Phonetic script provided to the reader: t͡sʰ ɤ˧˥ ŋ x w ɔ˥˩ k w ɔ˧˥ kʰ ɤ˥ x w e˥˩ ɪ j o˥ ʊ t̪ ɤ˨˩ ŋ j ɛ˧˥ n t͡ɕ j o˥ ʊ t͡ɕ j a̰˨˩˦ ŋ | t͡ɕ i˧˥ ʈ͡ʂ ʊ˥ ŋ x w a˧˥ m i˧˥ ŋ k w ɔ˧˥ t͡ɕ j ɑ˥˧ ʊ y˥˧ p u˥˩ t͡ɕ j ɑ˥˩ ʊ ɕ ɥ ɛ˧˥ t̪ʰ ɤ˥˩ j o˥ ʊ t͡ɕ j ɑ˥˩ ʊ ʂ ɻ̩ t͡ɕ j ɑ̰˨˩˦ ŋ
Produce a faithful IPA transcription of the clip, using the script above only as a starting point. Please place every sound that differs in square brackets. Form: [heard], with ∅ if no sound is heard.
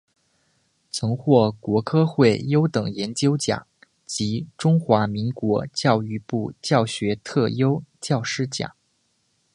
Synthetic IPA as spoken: t͡sʰ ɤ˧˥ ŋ x w ɔ˥˩ k w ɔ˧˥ kʰ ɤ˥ x w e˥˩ ɪ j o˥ ʊ t̪ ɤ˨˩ ŋ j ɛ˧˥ n t͡ɕ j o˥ ʊ t͡ɕ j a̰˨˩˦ ŋ | t͡ɕ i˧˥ ʈ͡ʂ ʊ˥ ŋ x w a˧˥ m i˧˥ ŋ k w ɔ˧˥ t͡ɕ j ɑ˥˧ ʊ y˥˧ p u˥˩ t͡ɕ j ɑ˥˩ ʊ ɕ ɥ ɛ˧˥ t̪ʰ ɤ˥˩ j o˥ ʊ t͡ɕ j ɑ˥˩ ʊ ʂ ɻ̩ t͡ɕ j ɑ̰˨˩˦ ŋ